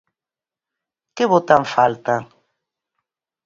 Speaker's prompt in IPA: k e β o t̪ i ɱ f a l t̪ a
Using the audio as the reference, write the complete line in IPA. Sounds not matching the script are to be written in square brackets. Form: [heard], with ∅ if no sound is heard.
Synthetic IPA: k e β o t̪ [a] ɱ f a l t̪ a